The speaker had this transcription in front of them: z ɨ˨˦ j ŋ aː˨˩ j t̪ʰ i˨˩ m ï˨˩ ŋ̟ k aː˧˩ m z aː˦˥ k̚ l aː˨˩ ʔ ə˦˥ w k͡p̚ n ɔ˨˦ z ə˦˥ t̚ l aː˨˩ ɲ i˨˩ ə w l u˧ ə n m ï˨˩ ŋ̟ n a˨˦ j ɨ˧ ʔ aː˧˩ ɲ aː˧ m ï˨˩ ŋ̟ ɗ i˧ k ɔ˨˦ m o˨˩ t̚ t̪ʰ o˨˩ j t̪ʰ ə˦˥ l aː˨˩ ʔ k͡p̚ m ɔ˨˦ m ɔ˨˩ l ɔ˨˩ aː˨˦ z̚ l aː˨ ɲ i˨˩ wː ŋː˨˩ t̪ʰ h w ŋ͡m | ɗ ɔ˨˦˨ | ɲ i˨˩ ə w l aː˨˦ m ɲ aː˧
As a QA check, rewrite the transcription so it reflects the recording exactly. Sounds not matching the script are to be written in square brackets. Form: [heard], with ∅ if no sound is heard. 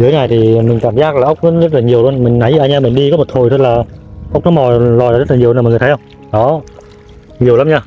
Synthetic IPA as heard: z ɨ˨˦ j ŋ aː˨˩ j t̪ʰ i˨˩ m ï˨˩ ŋ̟ k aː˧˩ m z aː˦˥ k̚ l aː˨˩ ʔ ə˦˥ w k͡p̚ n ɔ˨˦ z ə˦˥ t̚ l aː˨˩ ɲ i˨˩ ə w l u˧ ə n m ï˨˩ ŋ̟ n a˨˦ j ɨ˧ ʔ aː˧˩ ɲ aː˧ m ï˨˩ ŋ̟ ɗ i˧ k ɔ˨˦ m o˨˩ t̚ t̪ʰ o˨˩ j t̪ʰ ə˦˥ l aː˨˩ ʔ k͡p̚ [n] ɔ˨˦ m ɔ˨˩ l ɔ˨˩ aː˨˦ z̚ l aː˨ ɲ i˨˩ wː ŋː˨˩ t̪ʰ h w ŋ͡m | ɗ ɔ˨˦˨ | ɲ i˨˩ ə w l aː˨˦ m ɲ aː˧